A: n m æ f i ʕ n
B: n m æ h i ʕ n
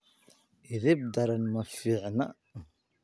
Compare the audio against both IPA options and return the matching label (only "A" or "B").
A